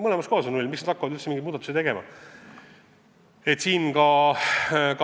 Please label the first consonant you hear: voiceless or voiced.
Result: voiced